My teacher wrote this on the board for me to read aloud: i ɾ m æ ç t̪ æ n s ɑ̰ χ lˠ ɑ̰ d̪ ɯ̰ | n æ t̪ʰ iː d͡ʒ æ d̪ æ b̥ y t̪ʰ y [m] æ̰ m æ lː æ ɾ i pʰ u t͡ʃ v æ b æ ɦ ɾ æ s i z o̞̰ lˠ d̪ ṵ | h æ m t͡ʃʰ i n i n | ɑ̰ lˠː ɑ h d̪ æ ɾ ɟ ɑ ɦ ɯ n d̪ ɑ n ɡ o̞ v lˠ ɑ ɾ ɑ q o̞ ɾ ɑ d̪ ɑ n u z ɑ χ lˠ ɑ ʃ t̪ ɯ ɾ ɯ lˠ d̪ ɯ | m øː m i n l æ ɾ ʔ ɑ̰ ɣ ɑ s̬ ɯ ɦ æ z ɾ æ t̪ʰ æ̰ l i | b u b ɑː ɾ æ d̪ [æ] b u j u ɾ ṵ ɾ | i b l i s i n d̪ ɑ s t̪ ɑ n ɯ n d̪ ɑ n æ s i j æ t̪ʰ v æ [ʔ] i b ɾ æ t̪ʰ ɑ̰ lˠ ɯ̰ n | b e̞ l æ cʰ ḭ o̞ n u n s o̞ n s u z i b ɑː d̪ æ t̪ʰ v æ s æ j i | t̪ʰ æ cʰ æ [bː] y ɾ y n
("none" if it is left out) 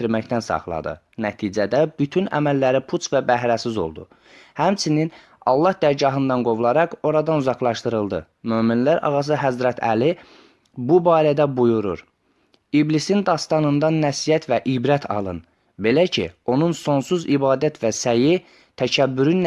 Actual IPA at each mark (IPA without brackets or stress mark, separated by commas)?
n, æ, ʔ, bː